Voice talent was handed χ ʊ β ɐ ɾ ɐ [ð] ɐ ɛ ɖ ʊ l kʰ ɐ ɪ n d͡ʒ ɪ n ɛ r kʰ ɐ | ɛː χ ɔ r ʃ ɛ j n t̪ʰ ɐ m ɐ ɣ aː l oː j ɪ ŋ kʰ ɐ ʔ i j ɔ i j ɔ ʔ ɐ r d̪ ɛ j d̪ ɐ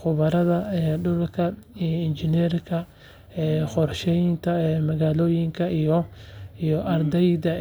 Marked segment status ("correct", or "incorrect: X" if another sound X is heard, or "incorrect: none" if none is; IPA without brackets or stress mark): correct